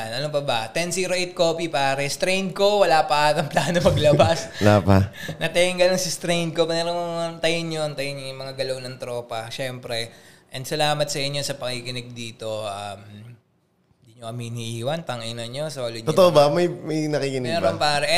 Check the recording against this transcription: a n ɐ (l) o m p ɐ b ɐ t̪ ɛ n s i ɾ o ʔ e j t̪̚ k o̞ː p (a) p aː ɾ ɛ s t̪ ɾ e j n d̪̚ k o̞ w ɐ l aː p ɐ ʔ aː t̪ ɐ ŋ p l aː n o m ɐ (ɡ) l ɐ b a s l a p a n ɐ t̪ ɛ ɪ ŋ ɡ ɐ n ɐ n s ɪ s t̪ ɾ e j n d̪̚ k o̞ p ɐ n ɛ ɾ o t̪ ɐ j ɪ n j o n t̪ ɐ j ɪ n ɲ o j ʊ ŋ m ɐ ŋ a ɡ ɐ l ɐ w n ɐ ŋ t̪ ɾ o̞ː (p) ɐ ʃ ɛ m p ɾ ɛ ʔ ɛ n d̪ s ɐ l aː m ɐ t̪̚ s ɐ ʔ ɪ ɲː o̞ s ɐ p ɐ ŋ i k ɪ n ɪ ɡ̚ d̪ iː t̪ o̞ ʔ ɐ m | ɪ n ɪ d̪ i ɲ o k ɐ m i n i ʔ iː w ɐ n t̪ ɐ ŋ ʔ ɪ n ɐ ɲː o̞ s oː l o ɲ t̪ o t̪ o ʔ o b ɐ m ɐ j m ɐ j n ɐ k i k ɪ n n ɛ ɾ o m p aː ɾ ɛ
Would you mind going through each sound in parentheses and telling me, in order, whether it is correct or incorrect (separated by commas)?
correct, incorrect, correct, correct